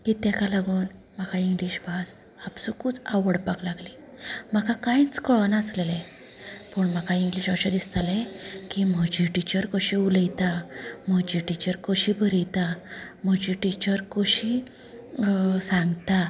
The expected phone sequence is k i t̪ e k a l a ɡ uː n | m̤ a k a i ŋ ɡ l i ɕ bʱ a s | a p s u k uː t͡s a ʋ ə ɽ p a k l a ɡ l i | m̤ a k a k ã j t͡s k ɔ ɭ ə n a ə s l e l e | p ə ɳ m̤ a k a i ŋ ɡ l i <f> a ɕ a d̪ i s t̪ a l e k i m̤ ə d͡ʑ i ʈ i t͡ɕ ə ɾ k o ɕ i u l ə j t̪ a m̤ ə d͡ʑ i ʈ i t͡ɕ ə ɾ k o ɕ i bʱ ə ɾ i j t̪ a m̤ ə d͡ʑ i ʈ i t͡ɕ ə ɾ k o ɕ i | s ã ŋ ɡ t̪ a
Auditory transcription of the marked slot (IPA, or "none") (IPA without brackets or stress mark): ɕ